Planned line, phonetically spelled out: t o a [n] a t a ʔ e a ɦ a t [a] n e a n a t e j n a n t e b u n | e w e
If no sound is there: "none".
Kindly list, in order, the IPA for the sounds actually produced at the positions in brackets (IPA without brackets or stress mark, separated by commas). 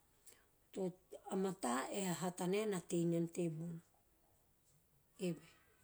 m, a